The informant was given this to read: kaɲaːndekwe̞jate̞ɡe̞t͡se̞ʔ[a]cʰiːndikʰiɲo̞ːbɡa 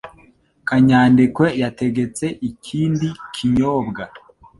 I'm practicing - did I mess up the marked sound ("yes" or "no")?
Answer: yes